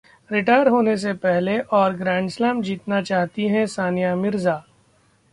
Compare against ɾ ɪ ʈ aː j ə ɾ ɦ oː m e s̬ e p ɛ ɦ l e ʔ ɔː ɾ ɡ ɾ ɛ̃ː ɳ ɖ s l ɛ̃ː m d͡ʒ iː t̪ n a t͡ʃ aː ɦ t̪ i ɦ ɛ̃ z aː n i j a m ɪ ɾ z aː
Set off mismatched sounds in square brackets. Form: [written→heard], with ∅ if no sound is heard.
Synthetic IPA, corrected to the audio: ɾ ɪ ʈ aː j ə ɾ ɦ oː [m→n] e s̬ e p ɛ ɦ l e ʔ ɔː ɾ ɡ ɾ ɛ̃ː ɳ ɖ s l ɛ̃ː m d͡ʒ iː t̪ n a t͡ʃ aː ɦ t̪ i ɦ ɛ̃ [z→s] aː n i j a m ɪ ɾ z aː